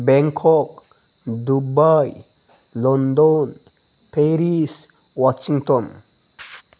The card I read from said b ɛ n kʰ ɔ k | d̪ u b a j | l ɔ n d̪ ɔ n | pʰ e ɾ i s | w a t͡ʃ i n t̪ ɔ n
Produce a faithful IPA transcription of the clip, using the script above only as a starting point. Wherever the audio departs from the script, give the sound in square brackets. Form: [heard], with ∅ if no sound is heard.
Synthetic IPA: b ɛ [ŋ] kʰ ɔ k | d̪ u b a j | l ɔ n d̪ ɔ n | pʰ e ɾ i s | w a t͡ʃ i [ŋ] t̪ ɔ n